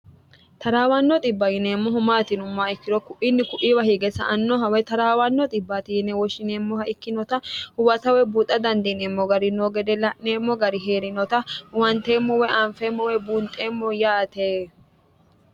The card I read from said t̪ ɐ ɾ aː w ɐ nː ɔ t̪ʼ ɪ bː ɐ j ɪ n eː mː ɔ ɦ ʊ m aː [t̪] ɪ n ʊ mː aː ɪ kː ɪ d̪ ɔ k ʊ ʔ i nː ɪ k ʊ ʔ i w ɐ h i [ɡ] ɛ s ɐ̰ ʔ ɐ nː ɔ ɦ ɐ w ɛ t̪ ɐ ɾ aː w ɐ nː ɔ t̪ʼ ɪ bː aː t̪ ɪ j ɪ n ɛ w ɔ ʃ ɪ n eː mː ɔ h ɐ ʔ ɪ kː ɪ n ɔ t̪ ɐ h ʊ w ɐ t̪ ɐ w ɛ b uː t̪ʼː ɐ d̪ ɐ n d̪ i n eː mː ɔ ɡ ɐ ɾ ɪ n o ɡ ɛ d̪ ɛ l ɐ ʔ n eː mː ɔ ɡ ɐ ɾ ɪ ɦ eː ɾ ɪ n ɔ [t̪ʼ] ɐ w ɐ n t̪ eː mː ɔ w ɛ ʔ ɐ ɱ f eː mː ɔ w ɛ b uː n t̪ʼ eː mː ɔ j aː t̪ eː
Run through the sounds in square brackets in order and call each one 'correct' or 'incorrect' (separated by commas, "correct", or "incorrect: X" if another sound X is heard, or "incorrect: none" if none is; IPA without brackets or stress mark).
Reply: correct, correct, incorrect: t̪